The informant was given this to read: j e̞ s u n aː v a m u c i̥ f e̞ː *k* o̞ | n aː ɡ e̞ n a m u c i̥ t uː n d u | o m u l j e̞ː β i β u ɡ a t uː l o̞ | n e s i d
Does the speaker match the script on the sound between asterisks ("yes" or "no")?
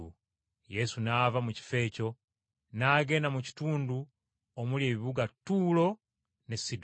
no